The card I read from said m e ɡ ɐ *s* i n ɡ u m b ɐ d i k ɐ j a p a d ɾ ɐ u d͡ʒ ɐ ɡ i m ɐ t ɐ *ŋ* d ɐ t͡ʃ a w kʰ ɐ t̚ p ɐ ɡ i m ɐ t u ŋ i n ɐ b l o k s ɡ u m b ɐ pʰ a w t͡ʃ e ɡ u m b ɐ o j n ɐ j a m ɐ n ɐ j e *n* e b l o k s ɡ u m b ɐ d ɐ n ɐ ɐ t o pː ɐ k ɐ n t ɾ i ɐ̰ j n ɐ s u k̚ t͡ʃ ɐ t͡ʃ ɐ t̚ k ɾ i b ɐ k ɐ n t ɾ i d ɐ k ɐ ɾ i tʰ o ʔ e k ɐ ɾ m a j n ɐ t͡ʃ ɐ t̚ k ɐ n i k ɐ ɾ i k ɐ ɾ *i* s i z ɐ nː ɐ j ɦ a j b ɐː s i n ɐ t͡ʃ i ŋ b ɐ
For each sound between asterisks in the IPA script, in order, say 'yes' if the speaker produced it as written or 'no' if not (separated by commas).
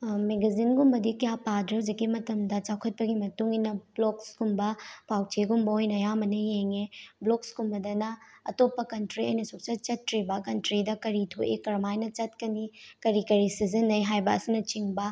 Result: no, no, no, yes